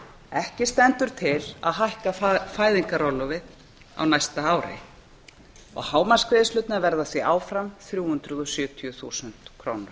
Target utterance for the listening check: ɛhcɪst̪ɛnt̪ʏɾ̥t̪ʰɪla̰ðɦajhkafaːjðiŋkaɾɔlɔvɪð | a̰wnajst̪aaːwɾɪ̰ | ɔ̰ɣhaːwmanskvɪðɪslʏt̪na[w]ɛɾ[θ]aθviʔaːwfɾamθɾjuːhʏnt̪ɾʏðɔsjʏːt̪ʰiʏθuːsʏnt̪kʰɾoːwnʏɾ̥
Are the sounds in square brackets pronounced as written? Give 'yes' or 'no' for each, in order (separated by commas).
no, no